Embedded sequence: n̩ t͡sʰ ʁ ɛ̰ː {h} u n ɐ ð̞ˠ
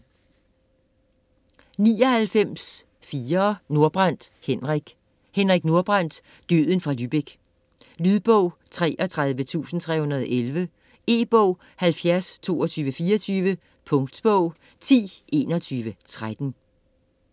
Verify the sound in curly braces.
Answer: correct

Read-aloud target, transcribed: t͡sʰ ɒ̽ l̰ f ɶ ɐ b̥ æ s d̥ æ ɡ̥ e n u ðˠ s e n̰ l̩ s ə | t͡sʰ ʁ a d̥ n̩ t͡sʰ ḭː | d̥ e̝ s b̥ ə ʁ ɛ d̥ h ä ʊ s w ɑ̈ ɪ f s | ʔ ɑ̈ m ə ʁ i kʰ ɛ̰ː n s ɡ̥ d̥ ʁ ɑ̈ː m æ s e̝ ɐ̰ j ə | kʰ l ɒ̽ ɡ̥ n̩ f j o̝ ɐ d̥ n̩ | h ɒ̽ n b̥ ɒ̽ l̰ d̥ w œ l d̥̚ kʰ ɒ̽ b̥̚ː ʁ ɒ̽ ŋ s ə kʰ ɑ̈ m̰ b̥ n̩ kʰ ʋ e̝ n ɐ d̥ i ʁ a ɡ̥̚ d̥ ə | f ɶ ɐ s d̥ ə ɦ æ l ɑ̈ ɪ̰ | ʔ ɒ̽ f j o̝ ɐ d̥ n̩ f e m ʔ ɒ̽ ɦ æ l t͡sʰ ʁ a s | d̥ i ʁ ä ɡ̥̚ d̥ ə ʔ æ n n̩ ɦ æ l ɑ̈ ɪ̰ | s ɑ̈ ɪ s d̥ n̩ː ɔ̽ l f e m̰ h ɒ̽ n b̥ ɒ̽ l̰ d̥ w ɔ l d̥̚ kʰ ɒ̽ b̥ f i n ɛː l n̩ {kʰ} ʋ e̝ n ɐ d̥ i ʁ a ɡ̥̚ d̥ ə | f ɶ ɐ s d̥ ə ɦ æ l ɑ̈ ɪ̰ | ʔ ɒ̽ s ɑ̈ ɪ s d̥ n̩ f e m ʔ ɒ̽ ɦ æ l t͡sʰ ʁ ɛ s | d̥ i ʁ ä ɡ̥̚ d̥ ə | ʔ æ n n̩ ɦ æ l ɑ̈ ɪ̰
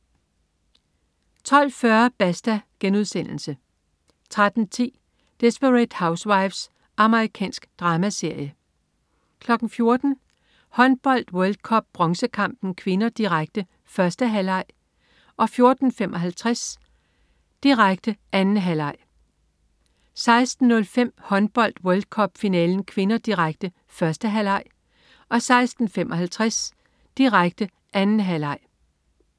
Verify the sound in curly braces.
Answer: correct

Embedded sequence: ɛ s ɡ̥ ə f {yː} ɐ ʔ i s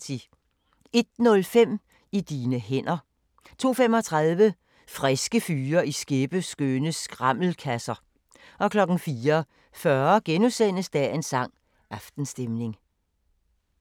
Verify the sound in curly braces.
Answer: correct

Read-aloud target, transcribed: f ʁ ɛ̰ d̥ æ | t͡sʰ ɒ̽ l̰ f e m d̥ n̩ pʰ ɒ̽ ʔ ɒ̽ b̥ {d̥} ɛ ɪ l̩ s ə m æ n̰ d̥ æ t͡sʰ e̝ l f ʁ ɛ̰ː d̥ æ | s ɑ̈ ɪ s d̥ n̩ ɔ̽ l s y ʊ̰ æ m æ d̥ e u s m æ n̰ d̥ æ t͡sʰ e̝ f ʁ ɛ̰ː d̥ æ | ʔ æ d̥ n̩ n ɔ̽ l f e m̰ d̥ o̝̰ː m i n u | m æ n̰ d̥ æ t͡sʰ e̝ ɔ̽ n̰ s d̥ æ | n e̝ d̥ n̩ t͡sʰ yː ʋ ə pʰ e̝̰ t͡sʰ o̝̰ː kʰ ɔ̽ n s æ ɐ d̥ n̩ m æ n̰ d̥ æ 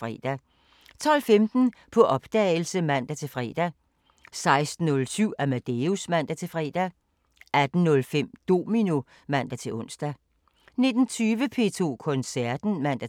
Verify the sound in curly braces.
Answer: correct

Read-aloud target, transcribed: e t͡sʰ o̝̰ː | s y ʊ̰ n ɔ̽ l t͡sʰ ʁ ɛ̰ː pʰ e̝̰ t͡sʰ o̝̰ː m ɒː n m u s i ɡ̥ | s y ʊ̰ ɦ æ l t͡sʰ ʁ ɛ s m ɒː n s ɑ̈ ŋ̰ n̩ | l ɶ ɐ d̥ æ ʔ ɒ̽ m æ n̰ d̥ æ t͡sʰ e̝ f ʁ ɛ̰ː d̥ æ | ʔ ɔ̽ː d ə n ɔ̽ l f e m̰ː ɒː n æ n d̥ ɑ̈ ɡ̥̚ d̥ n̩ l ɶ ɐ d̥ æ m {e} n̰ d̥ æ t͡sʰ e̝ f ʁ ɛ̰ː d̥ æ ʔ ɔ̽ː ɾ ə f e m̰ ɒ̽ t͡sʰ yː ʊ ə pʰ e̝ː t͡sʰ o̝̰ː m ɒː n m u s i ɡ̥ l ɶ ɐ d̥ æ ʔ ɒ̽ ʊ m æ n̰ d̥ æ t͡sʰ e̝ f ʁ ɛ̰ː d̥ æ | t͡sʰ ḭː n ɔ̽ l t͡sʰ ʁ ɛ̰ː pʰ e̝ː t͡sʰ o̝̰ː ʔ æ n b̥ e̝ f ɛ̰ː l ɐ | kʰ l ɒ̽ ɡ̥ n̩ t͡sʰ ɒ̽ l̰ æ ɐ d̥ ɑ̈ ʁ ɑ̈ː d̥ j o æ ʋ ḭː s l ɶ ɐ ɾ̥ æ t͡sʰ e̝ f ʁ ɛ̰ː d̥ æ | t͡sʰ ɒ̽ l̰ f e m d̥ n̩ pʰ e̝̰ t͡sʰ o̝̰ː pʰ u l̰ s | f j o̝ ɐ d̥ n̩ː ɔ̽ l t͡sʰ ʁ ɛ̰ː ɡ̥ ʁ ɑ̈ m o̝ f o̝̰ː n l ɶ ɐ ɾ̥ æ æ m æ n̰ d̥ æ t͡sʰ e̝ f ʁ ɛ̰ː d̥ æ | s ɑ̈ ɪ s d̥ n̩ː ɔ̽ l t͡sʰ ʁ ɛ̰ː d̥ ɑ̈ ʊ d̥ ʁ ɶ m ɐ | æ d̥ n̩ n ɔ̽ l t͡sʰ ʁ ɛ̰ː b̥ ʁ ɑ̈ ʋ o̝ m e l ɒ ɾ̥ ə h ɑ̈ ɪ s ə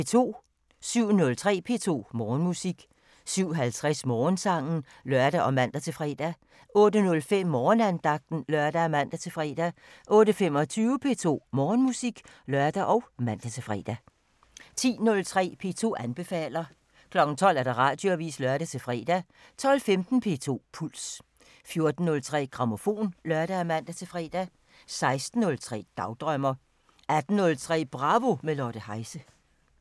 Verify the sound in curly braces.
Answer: incorrect: æ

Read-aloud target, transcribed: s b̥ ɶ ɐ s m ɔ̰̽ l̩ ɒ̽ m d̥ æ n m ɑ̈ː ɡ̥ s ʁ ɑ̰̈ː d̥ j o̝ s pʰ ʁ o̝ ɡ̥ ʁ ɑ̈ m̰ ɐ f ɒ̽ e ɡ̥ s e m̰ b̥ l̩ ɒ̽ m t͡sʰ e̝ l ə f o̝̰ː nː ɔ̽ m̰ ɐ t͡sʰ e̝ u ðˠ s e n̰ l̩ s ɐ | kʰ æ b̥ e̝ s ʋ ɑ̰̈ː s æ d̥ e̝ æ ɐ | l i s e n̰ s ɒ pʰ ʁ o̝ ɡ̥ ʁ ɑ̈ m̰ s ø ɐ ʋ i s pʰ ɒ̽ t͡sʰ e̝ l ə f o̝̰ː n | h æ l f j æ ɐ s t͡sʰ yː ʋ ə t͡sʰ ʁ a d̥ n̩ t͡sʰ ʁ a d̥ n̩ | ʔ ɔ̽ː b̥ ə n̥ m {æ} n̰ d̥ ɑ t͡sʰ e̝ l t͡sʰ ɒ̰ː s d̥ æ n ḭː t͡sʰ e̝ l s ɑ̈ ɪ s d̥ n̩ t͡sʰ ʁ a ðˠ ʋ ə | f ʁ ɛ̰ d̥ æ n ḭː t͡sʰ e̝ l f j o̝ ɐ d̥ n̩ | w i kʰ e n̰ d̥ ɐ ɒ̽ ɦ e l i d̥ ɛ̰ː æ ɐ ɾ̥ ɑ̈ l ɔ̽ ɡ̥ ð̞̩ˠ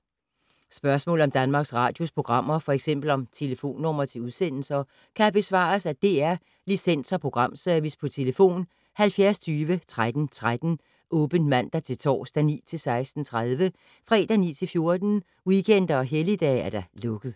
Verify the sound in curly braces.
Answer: correct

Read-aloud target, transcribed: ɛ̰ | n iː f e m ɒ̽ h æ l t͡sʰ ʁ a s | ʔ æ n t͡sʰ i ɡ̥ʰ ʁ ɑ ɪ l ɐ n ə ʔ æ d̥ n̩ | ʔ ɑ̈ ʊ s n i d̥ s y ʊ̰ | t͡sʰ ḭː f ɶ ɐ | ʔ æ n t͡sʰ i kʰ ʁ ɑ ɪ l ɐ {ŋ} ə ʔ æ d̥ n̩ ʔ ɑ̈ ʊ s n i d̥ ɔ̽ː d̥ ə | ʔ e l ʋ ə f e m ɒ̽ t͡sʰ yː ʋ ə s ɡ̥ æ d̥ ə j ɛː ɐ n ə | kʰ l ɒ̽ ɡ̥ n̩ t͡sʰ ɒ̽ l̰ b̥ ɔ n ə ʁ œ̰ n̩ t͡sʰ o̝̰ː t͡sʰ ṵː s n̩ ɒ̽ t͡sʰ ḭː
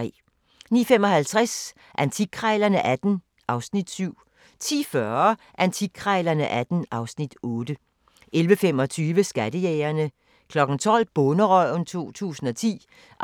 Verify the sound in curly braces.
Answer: incorrect: n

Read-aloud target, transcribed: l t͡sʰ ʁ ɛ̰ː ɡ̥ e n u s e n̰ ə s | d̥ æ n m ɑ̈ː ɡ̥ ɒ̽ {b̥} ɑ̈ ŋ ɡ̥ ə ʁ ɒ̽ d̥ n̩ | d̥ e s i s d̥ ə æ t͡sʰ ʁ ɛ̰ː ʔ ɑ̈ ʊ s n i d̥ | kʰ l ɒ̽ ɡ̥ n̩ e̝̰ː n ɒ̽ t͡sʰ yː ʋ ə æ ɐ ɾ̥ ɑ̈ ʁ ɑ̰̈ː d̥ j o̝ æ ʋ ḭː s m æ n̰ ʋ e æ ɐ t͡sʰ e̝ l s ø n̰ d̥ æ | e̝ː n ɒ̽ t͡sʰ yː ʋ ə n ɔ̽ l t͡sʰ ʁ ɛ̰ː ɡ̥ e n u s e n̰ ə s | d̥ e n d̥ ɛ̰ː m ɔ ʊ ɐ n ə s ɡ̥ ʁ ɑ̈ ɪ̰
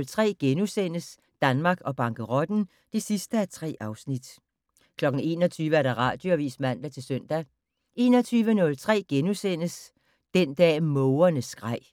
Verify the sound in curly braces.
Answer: correct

